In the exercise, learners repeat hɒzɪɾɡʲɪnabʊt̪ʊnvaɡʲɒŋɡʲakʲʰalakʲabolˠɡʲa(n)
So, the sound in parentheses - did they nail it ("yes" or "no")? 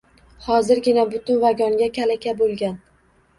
yes